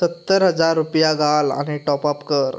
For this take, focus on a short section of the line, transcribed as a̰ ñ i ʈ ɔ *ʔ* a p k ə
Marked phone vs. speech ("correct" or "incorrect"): incorrect